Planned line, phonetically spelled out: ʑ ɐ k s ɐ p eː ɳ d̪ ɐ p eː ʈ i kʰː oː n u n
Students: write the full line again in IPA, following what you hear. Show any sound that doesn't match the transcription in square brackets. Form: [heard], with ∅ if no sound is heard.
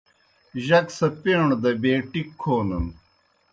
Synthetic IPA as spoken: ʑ ɐ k s ɐ p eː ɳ d̪ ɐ [b] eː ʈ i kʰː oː n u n